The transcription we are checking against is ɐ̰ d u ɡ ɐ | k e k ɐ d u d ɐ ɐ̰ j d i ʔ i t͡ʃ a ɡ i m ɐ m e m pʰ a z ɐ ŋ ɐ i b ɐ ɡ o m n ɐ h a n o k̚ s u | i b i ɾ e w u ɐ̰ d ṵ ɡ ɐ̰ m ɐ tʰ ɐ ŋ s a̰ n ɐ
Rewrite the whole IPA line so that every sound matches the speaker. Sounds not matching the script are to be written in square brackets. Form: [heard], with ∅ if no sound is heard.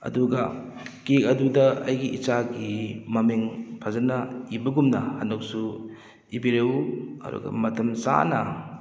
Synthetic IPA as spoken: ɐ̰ d u ɡ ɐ | k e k ɐ d u d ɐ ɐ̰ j [ɡ] i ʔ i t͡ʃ a ɡ i m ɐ m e [ŋ] pʰ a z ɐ [n] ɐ i b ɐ ɡ [u] m n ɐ h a n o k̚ s u | i b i ɾ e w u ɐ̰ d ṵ ɡ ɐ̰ m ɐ tʰ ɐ [m] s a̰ n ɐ